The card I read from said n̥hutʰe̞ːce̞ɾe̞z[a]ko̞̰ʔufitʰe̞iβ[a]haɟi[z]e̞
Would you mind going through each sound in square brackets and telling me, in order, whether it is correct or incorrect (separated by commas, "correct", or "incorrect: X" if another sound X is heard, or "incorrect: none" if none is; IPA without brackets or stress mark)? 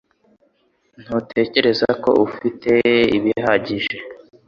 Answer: correct, incorrect: i, incorrect: ʒ